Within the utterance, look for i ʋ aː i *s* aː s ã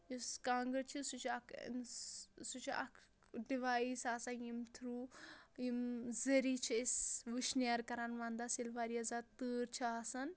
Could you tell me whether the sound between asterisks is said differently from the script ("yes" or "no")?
no